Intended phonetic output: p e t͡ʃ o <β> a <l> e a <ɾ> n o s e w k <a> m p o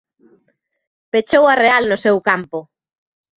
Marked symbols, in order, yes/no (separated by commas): no, no, no, yes